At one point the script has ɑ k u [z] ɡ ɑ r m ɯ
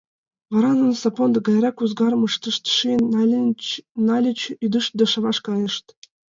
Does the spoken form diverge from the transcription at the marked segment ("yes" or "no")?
no